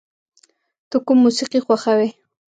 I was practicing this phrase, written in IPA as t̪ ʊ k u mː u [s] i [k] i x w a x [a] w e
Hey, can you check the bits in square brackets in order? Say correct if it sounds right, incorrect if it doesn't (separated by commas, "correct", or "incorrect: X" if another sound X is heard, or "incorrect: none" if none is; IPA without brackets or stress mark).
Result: correct, incorrect: q, correct